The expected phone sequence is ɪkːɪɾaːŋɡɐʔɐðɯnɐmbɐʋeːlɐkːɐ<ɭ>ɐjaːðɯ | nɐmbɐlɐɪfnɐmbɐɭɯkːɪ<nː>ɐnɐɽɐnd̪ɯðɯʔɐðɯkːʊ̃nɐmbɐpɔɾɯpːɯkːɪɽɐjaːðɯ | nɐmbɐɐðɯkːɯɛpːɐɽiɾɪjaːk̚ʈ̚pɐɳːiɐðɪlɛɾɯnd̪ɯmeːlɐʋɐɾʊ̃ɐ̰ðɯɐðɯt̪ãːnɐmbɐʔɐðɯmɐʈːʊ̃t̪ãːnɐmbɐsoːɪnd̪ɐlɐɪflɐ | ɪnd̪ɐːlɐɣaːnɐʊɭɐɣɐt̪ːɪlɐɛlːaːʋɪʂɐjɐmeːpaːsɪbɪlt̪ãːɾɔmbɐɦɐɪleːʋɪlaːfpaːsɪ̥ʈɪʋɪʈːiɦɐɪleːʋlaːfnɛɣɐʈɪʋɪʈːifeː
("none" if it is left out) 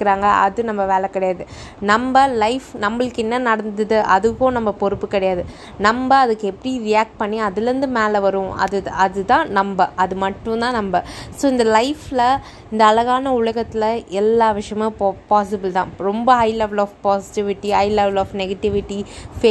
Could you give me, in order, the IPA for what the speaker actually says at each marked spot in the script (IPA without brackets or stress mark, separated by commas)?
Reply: ɽ, nː